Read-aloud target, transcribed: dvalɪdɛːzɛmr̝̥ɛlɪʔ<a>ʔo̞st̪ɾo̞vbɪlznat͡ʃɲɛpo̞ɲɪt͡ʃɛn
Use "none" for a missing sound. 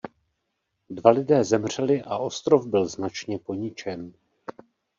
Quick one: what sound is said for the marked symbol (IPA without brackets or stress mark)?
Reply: a